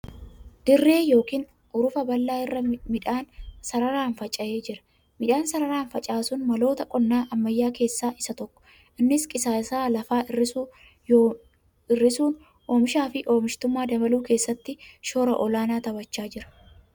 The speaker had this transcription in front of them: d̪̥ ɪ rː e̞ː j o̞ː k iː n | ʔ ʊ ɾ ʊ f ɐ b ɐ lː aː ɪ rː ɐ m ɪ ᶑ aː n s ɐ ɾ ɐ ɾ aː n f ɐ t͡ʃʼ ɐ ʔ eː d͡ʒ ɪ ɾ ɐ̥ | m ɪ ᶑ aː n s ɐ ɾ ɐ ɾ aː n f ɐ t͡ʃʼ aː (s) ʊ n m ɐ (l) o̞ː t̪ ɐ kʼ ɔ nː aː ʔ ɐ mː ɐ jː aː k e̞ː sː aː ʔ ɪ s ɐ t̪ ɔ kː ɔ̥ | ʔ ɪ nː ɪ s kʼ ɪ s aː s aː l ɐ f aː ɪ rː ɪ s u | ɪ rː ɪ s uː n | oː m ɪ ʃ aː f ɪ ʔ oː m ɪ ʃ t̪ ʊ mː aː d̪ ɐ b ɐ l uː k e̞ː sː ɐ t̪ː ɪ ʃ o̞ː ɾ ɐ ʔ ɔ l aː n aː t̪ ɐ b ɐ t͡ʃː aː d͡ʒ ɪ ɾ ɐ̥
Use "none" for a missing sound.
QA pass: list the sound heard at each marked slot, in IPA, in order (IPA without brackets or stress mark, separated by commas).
s, l